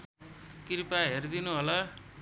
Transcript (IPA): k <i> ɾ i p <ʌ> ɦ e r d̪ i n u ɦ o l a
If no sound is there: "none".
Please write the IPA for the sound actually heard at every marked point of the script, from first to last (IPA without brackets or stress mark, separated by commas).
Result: i, a